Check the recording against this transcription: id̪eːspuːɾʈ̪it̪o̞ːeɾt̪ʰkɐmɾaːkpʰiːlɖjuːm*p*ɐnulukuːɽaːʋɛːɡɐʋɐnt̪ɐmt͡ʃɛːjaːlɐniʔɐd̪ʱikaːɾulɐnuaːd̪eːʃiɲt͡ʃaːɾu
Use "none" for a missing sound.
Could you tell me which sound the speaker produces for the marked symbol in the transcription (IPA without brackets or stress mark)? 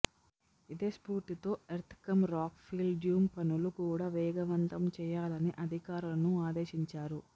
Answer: p